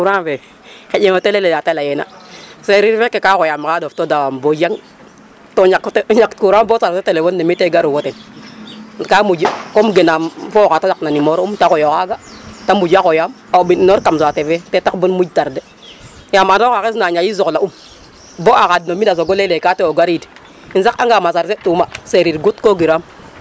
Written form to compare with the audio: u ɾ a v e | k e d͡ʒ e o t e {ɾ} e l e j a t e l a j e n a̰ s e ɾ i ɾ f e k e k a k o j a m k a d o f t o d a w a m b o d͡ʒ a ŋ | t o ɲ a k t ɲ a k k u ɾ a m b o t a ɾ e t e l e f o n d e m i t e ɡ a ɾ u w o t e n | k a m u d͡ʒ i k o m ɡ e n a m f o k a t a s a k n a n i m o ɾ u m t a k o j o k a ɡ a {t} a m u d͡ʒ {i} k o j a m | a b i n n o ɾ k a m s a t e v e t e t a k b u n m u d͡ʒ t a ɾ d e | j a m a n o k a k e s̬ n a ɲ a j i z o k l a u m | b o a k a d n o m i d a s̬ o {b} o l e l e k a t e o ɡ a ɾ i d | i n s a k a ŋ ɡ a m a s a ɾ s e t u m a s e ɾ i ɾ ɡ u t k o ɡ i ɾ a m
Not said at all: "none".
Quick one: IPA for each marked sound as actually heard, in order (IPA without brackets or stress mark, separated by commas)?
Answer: l, t, a, ɡ